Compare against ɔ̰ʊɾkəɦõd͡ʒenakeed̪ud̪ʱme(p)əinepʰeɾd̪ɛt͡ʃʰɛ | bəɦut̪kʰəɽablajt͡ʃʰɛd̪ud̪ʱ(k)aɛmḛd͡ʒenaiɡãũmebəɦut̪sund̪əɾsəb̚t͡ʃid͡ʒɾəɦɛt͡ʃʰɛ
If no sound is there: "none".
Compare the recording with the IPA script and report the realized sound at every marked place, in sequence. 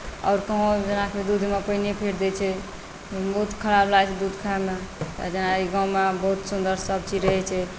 p, kʰ

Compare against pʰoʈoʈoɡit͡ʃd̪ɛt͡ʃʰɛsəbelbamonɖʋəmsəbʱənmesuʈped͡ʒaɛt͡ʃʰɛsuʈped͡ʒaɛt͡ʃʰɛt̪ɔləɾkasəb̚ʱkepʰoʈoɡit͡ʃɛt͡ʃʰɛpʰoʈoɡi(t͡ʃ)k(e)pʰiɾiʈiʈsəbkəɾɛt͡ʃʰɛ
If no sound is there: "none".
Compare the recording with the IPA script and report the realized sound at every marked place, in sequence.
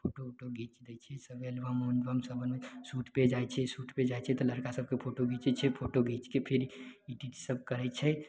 t͡ʃ, e

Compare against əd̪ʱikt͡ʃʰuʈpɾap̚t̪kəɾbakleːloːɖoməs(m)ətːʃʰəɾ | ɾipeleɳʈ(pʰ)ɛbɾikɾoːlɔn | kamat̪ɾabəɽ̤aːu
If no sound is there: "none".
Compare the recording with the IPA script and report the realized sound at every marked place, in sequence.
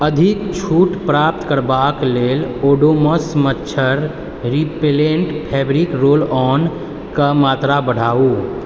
m, pʰ

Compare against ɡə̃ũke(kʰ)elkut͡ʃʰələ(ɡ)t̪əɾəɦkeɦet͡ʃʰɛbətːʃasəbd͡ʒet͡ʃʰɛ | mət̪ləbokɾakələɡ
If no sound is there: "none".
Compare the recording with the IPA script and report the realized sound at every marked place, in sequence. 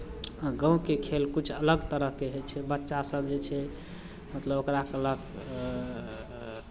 kʰ, ɡ

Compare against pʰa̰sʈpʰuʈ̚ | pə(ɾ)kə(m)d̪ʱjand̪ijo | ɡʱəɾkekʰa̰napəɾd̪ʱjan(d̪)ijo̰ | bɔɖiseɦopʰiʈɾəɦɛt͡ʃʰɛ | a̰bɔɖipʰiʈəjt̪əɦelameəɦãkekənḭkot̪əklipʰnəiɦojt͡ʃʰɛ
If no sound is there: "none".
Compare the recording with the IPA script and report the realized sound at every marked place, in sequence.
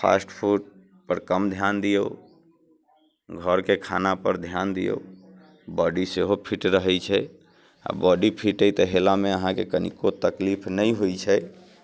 ɾ, m, d̪

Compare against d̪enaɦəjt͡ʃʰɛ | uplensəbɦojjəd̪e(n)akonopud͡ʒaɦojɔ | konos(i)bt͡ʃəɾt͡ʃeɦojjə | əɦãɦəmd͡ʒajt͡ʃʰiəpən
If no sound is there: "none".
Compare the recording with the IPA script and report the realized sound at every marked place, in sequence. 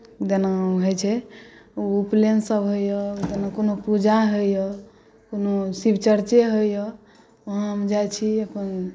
n, i

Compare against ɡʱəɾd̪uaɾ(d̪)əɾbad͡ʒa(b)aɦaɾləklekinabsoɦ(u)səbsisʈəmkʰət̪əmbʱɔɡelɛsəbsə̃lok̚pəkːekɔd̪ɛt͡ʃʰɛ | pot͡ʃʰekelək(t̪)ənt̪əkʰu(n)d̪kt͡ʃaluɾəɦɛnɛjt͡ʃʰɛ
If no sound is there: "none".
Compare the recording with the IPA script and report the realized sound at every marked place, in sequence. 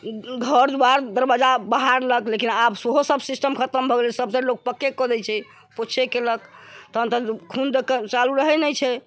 d̪, b, o, t̪, n

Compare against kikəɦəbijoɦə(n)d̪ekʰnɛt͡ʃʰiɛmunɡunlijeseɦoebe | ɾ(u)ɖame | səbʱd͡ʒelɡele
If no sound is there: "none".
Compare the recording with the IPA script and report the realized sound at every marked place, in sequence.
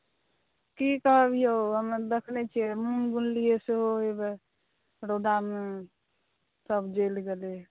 m, o

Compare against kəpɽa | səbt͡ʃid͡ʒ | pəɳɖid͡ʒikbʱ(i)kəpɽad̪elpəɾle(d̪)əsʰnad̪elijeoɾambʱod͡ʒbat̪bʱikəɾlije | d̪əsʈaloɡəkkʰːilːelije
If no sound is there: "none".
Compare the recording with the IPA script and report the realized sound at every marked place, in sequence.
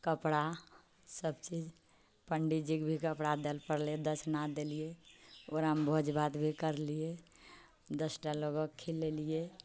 i, d̪

